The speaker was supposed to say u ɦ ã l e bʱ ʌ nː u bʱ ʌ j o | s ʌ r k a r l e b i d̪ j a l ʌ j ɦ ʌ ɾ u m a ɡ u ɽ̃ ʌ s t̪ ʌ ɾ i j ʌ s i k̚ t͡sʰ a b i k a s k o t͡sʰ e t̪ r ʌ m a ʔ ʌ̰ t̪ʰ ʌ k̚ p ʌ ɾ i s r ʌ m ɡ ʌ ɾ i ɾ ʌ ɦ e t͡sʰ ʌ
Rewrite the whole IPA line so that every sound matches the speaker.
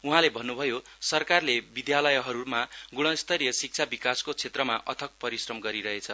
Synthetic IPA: u ɦ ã l e bʱ ʌ nː u bʱ ʌ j o | s ʌ r k a r l e b i d̪ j a l ʌ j ɦ ʌ ɾ u m a ɡ u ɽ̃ ʌ s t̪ ʌ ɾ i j ʌ s i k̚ t͡sʰ a b i k a s k o t͡sʰ e t̪ r ʌ m a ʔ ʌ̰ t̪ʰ ʌ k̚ p ʌ ɾ i s r ʌ m ɡ ʌ ɾ i ɾ ʌ ɦ e t͡sʰ ʌ